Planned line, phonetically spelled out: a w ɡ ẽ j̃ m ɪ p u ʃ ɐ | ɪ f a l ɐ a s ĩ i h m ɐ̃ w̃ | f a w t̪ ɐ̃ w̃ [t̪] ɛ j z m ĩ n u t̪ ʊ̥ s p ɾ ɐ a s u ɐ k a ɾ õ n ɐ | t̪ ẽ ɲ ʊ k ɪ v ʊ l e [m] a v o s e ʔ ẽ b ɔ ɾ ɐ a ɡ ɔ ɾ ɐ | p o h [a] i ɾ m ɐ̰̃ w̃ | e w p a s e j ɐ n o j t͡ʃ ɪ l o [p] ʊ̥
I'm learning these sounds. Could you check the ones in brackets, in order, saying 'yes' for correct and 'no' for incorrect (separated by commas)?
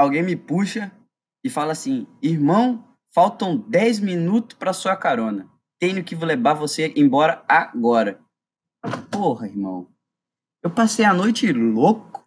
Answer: no, no, no, no